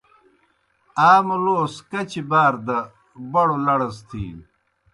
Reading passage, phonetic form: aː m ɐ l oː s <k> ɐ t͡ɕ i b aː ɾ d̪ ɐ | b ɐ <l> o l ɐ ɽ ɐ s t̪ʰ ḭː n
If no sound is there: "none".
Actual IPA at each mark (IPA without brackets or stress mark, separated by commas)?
k, ɽ